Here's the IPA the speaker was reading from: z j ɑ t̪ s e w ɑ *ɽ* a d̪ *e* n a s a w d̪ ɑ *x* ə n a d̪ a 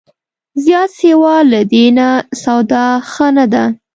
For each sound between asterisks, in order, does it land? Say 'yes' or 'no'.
no, yes, yes

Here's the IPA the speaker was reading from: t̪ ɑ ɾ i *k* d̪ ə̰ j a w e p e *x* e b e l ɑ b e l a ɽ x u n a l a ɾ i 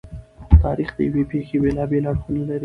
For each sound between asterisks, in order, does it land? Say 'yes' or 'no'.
no, yes

